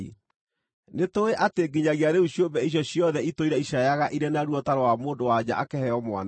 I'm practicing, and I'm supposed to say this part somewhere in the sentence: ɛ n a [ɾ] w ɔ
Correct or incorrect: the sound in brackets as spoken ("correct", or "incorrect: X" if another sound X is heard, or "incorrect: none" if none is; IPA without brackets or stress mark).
correct